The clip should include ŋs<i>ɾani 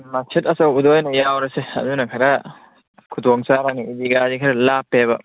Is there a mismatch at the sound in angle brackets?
yes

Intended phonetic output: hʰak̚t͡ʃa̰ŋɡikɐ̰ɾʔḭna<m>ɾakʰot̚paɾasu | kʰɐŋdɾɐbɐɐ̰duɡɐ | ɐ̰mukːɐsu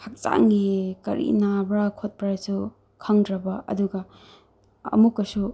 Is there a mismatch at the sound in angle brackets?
yes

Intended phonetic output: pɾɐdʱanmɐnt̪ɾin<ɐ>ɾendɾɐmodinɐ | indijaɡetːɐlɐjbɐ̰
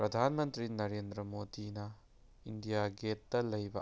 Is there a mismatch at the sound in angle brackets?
no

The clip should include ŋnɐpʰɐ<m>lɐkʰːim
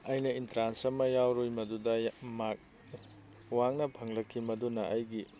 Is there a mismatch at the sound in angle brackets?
yes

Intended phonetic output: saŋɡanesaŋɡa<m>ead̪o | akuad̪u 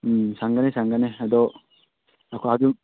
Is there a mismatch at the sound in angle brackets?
yes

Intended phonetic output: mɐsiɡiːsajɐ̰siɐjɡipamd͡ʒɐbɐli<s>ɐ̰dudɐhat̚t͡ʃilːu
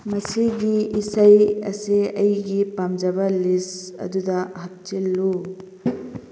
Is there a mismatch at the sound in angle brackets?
no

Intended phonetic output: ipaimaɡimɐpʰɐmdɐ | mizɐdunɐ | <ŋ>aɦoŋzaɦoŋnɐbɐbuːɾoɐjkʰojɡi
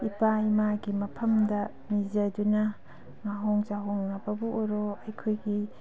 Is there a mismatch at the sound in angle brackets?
no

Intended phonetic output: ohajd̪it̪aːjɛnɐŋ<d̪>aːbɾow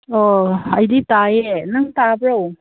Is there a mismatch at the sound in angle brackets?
yes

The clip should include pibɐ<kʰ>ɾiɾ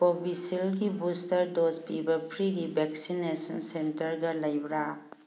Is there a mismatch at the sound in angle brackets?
yes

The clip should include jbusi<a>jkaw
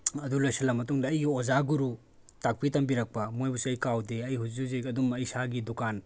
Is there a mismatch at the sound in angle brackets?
yes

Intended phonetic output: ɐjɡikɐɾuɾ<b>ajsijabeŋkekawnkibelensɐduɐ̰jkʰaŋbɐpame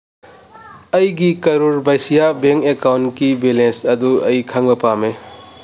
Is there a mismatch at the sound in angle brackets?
no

